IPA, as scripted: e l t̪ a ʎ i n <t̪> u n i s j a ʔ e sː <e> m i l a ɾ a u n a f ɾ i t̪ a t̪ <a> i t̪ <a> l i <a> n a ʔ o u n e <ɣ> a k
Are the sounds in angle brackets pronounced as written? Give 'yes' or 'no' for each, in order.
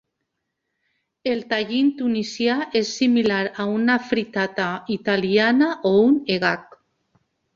yes, no, yes, yes, yes, yes

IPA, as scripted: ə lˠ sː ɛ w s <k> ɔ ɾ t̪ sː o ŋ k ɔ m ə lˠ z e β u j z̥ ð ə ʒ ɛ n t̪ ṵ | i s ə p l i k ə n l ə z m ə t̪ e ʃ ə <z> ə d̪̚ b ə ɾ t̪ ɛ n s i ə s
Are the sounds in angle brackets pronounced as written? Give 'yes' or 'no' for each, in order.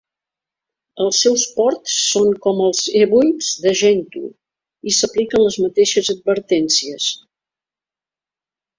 no, yes

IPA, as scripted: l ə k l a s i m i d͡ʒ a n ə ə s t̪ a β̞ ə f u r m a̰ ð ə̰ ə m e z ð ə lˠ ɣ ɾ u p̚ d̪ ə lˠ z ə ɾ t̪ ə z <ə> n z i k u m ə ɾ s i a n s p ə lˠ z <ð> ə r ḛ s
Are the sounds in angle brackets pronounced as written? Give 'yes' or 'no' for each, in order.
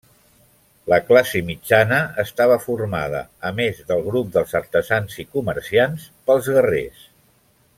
no, no

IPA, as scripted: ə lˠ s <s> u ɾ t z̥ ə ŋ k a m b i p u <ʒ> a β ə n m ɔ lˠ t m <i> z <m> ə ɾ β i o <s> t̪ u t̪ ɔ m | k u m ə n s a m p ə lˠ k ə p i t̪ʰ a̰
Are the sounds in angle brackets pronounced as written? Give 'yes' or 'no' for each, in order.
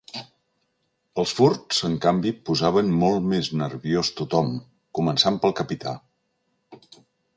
no, no, no, no, yes

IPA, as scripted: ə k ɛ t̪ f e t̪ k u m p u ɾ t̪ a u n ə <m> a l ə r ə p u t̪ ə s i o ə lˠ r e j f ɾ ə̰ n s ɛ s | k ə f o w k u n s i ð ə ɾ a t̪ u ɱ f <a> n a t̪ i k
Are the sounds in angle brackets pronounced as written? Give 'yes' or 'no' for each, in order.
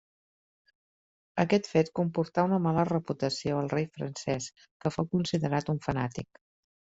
yes, no

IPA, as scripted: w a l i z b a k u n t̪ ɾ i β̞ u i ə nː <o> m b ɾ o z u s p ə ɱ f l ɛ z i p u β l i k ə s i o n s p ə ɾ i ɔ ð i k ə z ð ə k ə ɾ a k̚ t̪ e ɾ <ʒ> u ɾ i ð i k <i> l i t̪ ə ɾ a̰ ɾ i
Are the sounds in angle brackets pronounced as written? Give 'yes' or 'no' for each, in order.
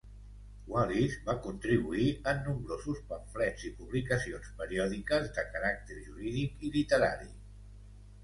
no, yes, yes

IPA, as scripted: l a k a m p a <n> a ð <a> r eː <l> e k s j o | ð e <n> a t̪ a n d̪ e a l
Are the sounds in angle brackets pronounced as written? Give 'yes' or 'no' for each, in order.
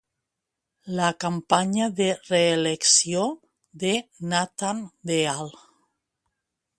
no, no, yes, yes

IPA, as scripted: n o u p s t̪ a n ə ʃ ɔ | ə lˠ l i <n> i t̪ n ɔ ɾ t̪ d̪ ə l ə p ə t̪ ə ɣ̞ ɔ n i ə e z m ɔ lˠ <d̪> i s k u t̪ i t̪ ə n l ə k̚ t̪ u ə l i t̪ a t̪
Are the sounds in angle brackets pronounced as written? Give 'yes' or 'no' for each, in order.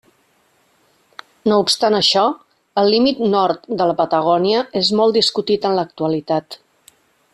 no, yes

